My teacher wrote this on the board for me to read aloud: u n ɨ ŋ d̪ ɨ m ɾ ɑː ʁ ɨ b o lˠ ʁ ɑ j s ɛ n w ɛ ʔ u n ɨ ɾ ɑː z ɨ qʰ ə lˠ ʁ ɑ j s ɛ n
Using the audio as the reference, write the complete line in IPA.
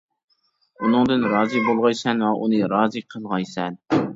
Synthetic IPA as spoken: u n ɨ ŋ d̪ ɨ n ɾ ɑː z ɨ b o lˠ ʁ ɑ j s ɛ n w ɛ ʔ u n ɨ ɾ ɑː z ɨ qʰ ə lˠ ʁ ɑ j s ɛ n

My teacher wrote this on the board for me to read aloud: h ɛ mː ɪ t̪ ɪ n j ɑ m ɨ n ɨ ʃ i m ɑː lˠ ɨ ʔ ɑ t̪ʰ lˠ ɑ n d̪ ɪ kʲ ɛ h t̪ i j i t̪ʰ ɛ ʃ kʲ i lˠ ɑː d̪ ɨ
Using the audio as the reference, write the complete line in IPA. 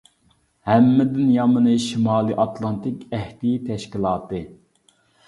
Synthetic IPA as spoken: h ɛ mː ɪ d̪ ɪ n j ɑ m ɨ n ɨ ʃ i m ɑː lˠ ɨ ʔ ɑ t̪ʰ lˠ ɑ n t̪ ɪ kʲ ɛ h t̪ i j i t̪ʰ ɛ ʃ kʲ i lˠ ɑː t̪ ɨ

